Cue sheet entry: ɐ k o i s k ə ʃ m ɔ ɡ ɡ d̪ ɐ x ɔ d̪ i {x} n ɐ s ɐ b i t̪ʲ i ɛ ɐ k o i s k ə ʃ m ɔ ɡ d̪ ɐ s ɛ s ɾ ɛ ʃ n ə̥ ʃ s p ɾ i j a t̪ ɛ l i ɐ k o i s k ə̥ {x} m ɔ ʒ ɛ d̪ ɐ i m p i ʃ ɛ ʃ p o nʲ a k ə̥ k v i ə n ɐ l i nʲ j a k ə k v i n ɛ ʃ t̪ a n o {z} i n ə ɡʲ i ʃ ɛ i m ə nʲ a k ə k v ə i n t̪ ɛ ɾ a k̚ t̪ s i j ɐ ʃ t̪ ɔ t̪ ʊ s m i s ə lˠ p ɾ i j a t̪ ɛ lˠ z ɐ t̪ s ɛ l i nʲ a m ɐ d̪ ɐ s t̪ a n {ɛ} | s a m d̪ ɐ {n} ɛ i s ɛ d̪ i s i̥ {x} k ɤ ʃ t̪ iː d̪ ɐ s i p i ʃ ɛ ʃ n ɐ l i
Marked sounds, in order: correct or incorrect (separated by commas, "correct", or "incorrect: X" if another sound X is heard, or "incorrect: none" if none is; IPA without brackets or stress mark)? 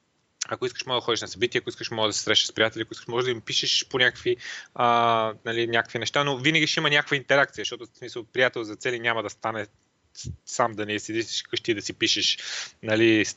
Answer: incorrect: ʃ, incorrect: ʃ, incorrect: v, correct, correct, incorrect: ʃ